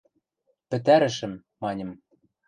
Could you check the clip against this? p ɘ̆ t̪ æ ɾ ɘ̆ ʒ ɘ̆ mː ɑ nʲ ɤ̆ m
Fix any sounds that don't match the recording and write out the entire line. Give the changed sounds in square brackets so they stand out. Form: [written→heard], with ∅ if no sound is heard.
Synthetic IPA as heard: p ɘ̆ t̪ æ ɾ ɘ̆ [ʒ→ʃ] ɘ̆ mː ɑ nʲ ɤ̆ m